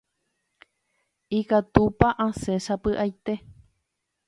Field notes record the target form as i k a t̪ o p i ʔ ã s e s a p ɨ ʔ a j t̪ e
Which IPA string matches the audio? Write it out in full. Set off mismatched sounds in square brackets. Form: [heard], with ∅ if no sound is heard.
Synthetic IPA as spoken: i k a t̪ [u] p [a] ʔ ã s e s a p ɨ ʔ a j t̪ e